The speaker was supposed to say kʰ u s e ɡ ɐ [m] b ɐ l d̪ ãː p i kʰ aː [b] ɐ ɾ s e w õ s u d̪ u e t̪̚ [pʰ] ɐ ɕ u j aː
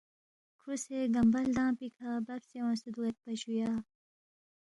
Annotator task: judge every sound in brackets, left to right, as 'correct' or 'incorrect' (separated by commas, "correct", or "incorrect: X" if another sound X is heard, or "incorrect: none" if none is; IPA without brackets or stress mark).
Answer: correct, correct, incorrect: p